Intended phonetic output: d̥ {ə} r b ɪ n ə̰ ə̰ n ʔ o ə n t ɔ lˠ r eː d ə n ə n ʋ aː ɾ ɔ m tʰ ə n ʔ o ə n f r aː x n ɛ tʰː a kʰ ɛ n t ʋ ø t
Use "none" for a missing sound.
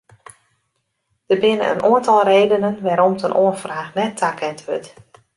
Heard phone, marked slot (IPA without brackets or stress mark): ə